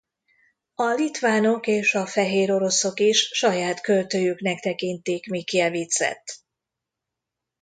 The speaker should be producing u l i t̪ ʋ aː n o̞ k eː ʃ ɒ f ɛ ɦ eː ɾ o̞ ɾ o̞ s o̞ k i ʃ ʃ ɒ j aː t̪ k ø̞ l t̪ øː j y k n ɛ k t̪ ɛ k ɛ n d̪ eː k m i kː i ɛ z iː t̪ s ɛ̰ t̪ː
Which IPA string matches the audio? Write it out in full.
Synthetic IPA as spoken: ɒ l i t̪ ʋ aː n o̞ k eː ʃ ɒ f ɛ ɦ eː ɾ o̞ ɾ o̞ s o̞ k i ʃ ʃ ɒ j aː t̪ k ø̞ l t̪ øː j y k n ɛ k t̪ ɛ k i n t̪ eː k m i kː i ɛ v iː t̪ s ɛ̰ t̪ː